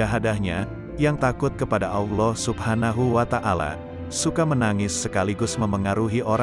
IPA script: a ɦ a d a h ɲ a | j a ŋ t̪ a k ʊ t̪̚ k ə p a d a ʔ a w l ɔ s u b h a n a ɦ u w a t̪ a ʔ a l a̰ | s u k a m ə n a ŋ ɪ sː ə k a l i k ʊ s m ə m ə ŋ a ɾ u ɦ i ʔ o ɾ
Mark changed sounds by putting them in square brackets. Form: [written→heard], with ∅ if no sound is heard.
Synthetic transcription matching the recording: a ɦ a d a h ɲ a | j a ŋ t̪ a k ʊ t̪̚ k ə p a d a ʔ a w l ɔ s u b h a n a ɦ u w a t̪ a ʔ a l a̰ | s u k a m ə n a ŋ ɪ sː ə k a l i [k→ɡ] ʊ s m ə m ə ŋ a ɾ u ɦ i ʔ o ɾ

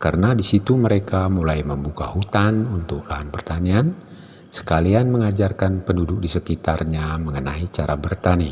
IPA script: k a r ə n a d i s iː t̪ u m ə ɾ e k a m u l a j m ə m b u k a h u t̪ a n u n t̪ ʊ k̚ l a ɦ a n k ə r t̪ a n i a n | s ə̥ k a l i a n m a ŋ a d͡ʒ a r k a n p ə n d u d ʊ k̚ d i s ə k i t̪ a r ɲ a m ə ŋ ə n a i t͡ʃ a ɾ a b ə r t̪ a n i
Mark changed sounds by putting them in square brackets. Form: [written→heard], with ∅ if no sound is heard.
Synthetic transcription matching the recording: k a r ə n a d i s [iː→i] t̪ u m ə ɾ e k a m u l a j m ə m b u k a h u t̪ a n u n t̪ ʊ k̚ l a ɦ a n [k→p] ə r t̪ a n i a n | s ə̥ k a l i a n m [a→ə] ŋ a d͡ʒ a r k a n p ə n d u d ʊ k̚ d i s ə k i t̪ a r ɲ a m ə ŋ ə n a i t͡ʃ a ɾ a b ə r t̪ a n i

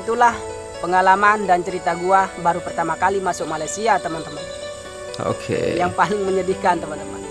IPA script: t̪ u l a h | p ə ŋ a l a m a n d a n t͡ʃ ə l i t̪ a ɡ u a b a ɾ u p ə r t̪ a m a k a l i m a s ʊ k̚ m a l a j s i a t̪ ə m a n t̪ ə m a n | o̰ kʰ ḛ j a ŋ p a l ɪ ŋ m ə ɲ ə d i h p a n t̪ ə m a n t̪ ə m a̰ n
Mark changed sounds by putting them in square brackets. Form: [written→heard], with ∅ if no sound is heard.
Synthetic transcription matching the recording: t̪ u l a h | p ə ŋ a l a m a n d a n t͡ʃ ə [l→ɾ] i t̪ a ɡ u a b a ɾ u p ə r t̪ a m a k a l i m a s ʊ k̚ m a l a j s i a t̪ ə m a n t̪ ə m a n | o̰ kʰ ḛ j a ŋ p a l ɪ ŋ m ə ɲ ə d i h [p→k] a n t̪ ə m a n t̪ ə m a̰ n

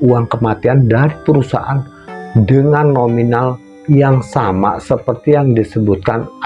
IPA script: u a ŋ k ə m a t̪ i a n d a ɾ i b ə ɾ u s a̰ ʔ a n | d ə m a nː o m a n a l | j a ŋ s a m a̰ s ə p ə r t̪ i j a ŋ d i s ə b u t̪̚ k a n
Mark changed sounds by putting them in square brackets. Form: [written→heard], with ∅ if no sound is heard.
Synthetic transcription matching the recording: u a ŋ k ə m a t̪ i a n d a ɾ i [b→p] ə ɾ u s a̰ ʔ a n | d ə [m→ŋ] a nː o m [a→i] n a l | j a ŋ s a m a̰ s ə p ə r t̪ i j a ŋ d i s ə b u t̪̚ k a n

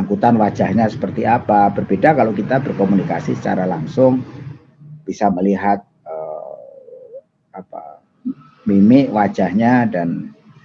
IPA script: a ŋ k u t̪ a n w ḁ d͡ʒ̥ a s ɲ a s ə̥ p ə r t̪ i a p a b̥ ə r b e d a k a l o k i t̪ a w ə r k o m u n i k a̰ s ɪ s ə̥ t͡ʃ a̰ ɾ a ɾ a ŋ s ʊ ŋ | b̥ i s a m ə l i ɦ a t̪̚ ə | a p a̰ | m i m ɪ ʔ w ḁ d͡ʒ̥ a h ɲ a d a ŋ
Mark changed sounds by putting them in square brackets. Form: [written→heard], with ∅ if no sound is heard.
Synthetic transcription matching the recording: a ŋ k u t̪ a n w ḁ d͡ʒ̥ a [s→h] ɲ a s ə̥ p ə r t̪ i a p a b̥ ə r b e d a k a l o k i t̪ a [w→b] ə r k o m u n i k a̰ s [ɪ→i] s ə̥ t͡ʃ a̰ ɾ a [ɾ→l] a ŋ s ʊ ŋ | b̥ i s a m ə l i ɦ a t̪̚ ə | a p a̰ | m i m ɪ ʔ w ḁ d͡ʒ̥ a h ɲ a d a [ŋ→n]

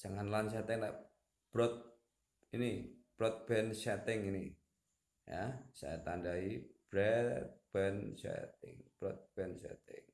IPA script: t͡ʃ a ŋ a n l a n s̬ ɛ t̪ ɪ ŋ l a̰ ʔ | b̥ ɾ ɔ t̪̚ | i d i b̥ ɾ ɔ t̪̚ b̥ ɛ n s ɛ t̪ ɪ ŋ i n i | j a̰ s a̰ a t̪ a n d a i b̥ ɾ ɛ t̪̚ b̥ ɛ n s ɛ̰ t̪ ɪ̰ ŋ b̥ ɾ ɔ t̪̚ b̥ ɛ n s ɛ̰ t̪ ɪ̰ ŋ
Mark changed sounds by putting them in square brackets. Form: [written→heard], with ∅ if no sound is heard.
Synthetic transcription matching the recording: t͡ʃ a ŋ a n l a n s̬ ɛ t̪ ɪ ŋ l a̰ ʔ | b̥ ɾ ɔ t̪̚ | i [d→n] i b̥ ɾ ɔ t̪̚ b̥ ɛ n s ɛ t̪ ɪ ŋ i n i | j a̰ s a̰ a t̪ a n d a i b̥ ɾ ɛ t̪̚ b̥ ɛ n s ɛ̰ t̪ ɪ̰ ŋ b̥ ɾ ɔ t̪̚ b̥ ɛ n s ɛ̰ t̪ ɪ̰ ŋ

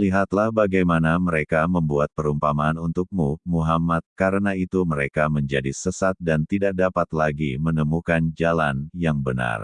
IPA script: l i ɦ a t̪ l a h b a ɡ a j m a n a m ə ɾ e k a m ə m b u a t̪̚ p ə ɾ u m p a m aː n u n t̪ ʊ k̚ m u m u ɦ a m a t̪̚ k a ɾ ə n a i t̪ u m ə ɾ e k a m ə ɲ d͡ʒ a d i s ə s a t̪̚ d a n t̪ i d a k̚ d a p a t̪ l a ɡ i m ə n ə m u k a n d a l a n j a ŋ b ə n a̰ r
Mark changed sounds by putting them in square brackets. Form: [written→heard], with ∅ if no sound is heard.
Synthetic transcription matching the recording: l i ɦ a t̪ l a h b a ɡ a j m a n a m ə ɾ e k a m ə m b u a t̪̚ p ə ɾ u m p a m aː n u n t̪ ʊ k̚ m u m u ɦ a m a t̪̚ k a ɾ ə n a i t̪ u m ə ɾ e k a m ə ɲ d͡ʒ a d i s ə s a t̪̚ d a n t̪ i d a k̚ d a p a t̪ l a ɡ i m ə n ə m u k a n [d→d͡ʒ] a l a n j a ŋ b ə n a̰ r

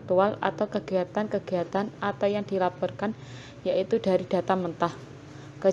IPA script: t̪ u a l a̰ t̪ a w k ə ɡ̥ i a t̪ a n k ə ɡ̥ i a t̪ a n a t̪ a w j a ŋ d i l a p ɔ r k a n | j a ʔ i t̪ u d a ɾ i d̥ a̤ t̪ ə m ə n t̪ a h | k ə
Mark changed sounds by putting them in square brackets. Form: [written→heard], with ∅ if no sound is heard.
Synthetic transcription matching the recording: t̪ u a l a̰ t̪ a w k ə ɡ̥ i a t̪ a n k ə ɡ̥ i a t̪ a n a t̪ a w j a ŋ d i l a p ɔ r k a n | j a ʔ i t̪ u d a ɾ i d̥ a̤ t̪ [ə→a] m ə n t̪ a h | k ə

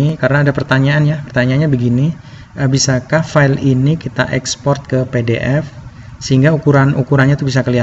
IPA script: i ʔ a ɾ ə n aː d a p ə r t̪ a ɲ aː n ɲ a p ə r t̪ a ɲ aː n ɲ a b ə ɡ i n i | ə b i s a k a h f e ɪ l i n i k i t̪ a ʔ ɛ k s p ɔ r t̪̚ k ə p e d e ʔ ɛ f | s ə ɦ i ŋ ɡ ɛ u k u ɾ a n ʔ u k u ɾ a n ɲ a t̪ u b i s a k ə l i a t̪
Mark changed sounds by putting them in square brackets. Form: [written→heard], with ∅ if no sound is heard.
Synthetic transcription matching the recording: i [ʔ→k] a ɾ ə n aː d a p ə r t̪ a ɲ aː n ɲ a p ə r t̪ a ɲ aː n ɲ a b ə ɡ i n i | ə b i s a k a h f [e→a] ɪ l i n i k i t̪ a ʔ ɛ k s p ɔ r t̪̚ k ə p e d e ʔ ɛ f | s ə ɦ i ŋ ɡ [ɛ→a] u k u ɾ a n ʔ u k u ɾ a n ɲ a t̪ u b i s a k ə l i a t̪

